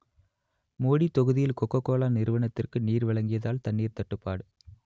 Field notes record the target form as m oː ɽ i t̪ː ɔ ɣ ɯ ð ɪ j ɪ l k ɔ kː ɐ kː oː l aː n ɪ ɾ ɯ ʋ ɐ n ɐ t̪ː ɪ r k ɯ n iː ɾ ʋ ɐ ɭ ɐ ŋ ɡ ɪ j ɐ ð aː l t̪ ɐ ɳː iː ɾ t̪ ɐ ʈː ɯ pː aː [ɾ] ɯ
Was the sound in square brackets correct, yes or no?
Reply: no